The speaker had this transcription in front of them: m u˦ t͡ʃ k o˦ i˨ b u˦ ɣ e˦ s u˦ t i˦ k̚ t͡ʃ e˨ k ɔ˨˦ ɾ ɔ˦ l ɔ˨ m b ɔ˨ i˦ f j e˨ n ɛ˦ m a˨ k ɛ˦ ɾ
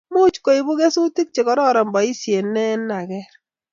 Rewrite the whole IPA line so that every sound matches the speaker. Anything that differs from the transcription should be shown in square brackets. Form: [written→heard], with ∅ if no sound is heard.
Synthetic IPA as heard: m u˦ t͡ʃ k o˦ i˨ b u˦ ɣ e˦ s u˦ t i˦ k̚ t͡ʃ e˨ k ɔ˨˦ ɾ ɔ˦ [l→ɾ] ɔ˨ m b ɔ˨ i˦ [f→s] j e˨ n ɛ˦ [m→n] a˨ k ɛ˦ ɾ